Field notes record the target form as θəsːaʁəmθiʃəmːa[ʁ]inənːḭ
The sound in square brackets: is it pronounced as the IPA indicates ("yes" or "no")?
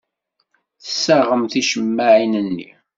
no